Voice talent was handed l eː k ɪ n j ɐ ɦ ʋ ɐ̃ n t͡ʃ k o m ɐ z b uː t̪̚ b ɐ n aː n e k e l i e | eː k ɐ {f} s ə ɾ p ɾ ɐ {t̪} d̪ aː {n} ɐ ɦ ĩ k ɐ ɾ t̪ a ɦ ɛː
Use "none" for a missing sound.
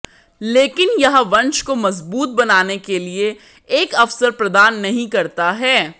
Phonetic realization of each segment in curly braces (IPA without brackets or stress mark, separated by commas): f, none, nː